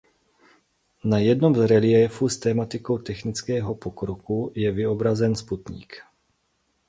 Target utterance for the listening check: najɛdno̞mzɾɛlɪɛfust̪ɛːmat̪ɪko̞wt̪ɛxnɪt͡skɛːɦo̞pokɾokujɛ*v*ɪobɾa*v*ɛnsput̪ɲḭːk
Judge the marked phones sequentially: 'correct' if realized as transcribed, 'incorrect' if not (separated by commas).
correct, incorrect